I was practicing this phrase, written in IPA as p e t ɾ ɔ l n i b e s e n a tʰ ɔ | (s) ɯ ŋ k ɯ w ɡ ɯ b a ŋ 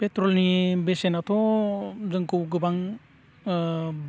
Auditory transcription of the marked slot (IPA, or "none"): z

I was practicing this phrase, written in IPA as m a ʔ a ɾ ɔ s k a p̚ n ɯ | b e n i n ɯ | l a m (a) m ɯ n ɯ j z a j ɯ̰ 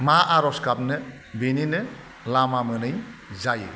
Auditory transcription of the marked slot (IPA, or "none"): a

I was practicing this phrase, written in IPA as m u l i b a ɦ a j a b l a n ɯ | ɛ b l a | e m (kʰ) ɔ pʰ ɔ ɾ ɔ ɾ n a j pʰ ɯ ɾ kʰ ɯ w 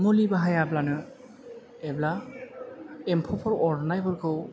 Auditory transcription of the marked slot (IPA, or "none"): pʰ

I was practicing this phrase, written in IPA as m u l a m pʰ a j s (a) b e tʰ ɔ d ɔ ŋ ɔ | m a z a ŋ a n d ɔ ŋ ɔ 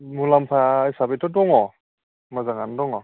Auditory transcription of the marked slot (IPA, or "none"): a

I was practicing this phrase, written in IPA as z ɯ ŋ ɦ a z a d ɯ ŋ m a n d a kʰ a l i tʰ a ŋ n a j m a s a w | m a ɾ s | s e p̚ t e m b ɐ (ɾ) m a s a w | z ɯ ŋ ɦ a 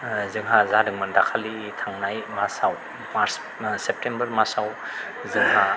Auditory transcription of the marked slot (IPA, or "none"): ɾ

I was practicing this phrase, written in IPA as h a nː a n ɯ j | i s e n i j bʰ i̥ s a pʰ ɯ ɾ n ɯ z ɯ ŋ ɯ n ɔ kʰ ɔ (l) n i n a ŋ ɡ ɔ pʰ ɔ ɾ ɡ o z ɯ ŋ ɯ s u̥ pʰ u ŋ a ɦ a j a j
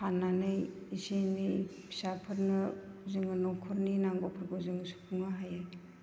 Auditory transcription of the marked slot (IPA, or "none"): ɾ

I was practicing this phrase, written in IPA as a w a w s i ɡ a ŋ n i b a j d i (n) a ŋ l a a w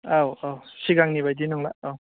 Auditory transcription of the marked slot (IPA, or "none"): n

